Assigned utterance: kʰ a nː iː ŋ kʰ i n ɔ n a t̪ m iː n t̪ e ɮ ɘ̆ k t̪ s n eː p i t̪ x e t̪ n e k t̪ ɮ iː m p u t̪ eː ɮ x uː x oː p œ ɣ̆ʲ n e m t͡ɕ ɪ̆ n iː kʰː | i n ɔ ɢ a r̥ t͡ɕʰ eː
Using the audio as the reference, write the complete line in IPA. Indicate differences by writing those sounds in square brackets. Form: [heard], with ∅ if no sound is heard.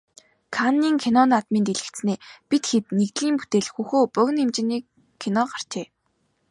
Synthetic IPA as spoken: kʰ a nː iː ŋ kʰ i n ɔ n a t̪ m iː n t̪ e ɮ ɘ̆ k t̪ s n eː p i t̪ x e t̪ n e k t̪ ɮ iː m p u t̪ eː ɮ x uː x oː p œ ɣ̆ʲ n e m t͡ɕ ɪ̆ n iː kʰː | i n ɔ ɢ a r̥ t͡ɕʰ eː